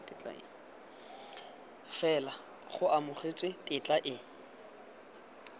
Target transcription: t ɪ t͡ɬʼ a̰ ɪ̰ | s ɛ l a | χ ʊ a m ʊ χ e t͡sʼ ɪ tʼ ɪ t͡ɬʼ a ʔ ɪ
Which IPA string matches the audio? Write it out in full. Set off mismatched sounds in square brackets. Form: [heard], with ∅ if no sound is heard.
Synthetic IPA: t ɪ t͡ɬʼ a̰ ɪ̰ | [f] ɛ l a | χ ʊ a m ʊ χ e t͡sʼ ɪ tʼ ɪ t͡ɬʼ a ʔ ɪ